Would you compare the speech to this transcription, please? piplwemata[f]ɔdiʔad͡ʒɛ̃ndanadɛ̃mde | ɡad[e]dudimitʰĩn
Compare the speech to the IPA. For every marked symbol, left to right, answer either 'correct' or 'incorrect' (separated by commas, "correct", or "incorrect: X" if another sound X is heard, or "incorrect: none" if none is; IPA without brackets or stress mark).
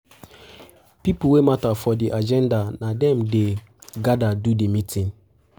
correct, incorrect: a